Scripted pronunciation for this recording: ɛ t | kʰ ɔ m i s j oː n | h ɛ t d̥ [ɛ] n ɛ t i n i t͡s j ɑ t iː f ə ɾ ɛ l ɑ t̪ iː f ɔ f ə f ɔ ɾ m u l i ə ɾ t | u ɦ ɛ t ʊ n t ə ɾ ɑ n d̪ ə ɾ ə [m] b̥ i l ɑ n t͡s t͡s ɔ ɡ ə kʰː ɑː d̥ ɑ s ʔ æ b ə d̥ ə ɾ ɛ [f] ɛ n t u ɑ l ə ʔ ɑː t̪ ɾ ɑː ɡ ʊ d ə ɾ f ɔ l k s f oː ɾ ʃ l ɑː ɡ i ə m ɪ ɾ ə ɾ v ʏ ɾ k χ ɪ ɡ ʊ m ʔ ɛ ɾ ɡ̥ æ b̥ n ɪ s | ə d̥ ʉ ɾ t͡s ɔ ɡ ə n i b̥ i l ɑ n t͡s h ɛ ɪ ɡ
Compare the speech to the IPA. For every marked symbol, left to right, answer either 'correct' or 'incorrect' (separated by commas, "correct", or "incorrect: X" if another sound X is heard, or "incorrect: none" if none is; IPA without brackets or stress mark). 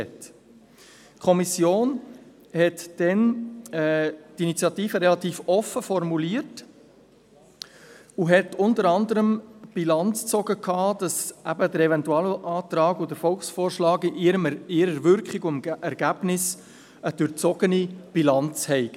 correct, correct, incorrect: v